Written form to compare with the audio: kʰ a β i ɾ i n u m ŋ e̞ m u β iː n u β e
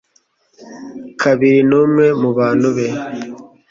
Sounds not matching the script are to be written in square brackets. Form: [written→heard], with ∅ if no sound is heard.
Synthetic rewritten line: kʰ a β i ɾ i n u m ŋ e̞ m u β [iː→aː] n u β e